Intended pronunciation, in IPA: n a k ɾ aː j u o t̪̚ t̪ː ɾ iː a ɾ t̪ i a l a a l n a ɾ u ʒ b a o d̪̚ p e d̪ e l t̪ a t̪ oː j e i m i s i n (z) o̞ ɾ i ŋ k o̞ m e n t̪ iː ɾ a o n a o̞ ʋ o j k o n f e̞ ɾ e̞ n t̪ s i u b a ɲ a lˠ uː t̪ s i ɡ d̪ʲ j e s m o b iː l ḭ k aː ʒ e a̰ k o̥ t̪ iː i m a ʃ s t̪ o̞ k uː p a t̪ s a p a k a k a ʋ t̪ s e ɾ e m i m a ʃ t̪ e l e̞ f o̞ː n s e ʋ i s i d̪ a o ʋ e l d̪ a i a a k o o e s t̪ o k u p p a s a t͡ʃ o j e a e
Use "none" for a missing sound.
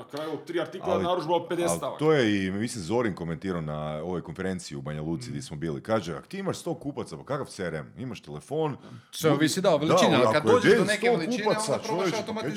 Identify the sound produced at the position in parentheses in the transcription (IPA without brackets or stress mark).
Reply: z